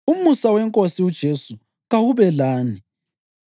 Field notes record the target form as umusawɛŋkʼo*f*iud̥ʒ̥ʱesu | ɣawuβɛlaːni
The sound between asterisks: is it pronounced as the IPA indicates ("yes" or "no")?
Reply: no